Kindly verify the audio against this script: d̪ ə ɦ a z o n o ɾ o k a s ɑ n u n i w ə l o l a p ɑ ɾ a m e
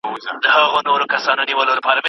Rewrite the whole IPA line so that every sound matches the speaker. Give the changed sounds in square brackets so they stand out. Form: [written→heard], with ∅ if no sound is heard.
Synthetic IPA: d̪ ə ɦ a [z→ɣ] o n o ɾ o k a s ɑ n [u→o] n i w ə l o l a p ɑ ɾ a m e